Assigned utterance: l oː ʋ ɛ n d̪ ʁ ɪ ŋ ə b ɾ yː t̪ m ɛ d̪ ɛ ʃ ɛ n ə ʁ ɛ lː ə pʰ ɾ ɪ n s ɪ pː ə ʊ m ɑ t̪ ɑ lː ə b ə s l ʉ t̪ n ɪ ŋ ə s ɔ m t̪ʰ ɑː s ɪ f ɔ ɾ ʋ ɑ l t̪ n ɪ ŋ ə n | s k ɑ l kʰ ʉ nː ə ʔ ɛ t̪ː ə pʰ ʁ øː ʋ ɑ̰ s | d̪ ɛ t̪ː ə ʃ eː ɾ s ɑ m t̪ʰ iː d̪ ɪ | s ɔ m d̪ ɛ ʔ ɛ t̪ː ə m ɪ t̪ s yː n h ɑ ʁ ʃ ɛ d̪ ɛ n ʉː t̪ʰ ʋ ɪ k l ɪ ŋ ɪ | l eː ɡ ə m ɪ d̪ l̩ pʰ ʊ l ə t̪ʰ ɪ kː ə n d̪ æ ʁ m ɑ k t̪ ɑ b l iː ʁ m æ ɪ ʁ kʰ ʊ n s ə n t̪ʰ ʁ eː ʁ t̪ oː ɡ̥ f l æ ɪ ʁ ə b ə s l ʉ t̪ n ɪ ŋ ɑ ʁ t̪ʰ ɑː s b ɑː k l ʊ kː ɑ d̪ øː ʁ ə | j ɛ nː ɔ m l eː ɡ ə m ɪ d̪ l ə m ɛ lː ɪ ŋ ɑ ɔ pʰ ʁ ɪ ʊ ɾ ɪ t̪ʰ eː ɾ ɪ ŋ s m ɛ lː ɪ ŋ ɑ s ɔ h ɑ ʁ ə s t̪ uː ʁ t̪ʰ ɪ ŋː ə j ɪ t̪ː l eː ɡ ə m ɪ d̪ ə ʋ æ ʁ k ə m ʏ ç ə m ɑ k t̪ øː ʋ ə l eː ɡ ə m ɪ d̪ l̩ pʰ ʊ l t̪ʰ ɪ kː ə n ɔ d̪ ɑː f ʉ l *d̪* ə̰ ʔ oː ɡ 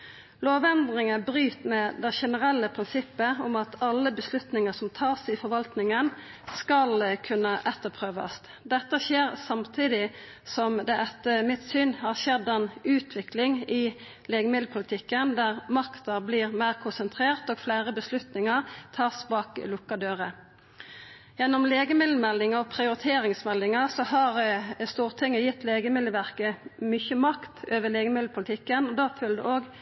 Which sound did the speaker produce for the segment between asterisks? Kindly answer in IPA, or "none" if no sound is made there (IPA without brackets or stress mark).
d̪